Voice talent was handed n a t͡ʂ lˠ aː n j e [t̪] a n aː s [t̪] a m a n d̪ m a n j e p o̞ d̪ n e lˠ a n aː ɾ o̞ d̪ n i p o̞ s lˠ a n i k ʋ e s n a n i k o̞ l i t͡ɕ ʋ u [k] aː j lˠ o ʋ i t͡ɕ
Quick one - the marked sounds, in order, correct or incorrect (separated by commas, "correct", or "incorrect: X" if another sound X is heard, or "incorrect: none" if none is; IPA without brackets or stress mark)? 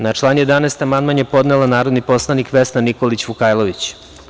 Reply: incorrect: d̪, correct, correct